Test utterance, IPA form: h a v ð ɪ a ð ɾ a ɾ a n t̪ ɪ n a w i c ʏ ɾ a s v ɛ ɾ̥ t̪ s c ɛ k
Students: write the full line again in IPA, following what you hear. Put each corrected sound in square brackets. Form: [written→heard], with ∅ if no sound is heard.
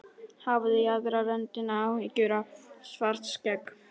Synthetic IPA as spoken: h a v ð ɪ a ð ɾ a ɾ [a→ɛ] n t̪ ɪ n a w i c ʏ ɾ a s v [ɛ→a] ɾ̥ t̪ s c ɛ k